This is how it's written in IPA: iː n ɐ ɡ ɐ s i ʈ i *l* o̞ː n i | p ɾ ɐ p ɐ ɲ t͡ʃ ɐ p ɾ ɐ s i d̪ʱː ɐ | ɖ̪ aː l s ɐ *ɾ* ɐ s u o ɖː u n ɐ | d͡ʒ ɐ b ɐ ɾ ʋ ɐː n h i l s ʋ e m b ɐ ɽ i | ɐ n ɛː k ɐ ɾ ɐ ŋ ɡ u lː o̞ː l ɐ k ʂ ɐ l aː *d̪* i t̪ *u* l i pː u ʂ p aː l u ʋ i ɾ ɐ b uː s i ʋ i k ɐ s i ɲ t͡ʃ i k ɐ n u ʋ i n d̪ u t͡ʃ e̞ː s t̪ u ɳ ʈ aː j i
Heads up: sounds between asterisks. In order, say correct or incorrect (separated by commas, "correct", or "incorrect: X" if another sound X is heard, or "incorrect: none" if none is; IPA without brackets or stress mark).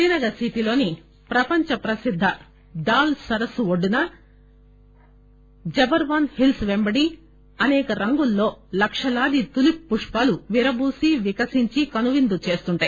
correct, correct, correct, correct